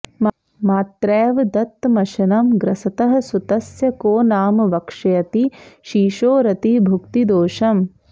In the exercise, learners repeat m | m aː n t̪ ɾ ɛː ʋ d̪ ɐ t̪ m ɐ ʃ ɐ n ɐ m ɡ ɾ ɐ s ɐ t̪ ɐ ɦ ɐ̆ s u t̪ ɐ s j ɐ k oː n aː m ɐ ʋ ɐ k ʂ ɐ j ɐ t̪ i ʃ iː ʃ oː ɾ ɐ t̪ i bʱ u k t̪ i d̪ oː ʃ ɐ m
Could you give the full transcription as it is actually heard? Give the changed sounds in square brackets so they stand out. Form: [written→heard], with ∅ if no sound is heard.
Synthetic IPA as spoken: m | m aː [n→∅] t̪ ɾ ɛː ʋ d̪ ɐ t̪ m ɐ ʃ ɐ n ɐ m ɡ ɾ ɐ s ɐ t̪ ɐ ɦ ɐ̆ s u t̪ ɐ s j ɐ k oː n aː m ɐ ʋ ɐ k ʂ ɐ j ɐ t̪ i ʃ iː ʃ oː ɾ ɐ t̪ i bʱ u k t̪ i d̪ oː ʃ ɐ m